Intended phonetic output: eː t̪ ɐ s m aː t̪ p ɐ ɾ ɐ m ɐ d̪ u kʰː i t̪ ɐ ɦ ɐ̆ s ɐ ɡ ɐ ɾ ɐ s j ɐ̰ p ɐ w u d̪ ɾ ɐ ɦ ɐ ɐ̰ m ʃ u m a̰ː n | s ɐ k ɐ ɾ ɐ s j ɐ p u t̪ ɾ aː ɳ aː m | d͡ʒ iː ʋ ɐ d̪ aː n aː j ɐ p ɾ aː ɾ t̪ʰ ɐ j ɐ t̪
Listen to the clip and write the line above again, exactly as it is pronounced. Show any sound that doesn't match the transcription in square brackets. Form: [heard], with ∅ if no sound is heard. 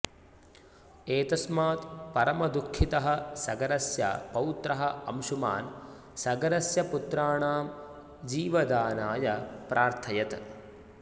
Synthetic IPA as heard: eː t̪ ɐ s m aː t̪ p ɐ ɾ ɐ m ɐ d̪ u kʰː i t̪ ɐ ɦ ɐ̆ s ɐ ɡ ɐ ɾ ɐ s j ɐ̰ p ɐ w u [t̪] ɾ ɐ ɦ ɐ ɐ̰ m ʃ u m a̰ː n | s ɐ [ɡ] ɐ ɾ ɐ s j ɐ p u t̪ ɾ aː ɳ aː m | d͡ʒ iː ʋ ɐ d̪ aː n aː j ɐ p ɾ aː ɾ t̪ʰ ɐ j ɐ t̪